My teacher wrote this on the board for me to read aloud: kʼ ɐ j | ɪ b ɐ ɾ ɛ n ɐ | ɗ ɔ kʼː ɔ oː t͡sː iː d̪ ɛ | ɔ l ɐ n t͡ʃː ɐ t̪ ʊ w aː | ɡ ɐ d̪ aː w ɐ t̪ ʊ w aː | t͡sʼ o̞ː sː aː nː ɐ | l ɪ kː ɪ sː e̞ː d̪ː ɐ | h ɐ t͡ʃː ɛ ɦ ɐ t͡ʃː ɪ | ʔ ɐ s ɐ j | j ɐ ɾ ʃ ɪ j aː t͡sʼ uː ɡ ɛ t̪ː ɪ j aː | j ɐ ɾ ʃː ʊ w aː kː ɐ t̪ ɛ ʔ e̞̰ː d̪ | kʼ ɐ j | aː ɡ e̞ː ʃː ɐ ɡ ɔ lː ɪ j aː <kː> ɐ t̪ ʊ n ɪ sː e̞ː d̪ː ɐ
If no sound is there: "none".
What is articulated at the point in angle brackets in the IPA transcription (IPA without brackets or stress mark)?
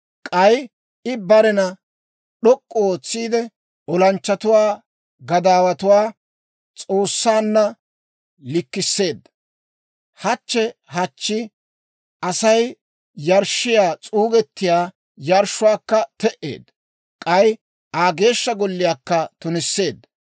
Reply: kː